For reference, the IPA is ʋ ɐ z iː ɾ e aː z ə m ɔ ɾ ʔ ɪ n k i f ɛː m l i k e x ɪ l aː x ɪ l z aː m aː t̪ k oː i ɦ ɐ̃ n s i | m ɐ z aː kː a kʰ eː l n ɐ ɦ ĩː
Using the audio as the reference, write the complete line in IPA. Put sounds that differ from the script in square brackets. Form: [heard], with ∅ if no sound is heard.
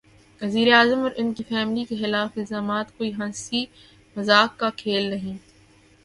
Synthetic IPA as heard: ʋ ɐ z iː ɾ e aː z ə m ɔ ɾ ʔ ɪ n k i f ɛː m l i k e x ɪ l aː [f] ɪ l z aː m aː t̪ k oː i ɦ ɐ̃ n s i | m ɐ z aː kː a kʰ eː l n ɐ ɦ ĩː